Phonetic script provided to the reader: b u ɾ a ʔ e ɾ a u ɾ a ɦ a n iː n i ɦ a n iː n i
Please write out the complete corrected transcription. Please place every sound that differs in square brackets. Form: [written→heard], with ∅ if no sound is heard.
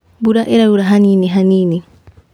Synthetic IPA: b u ɾ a ʔ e ɾ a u ɾ a ɦ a n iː n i ɦ a n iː n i